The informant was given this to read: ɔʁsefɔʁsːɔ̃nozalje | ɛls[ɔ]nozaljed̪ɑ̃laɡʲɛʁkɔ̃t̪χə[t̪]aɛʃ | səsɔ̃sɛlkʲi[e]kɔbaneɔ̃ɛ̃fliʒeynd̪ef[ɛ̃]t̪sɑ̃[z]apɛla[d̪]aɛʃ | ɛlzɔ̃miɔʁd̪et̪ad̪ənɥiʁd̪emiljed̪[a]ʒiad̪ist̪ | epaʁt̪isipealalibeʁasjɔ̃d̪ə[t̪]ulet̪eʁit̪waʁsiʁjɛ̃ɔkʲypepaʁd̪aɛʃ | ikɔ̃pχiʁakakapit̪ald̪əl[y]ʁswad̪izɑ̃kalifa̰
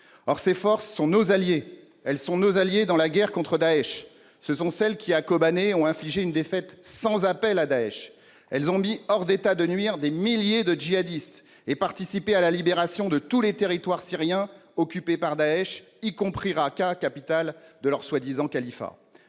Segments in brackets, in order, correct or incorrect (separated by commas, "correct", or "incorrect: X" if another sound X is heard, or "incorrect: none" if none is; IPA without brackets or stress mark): incorrect: ɔ̃, incorrect: d̪, incorrect: a, incorrect: ɛ, correct, correct, incorrect: ə, correct, incorrect: œ